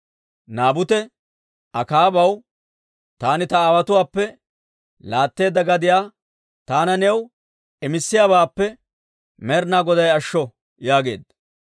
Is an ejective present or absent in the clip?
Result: absent